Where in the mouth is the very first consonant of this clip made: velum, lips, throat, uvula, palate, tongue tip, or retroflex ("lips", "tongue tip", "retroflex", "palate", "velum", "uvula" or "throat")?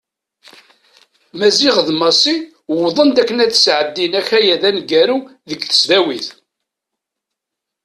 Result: lips